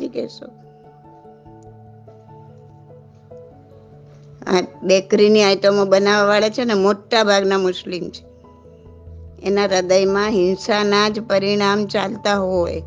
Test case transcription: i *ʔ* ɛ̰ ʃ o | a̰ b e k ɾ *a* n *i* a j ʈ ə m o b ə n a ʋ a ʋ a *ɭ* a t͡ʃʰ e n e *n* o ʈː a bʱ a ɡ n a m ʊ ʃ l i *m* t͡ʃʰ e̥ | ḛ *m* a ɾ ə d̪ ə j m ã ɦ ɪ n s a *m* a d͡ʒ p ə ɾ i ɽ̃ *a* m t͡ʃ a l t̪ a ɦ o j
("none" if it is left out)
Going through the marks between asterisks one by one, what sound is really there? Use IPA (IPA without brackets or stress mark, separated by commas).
k, i, i, ɭ, m, m, n, n, a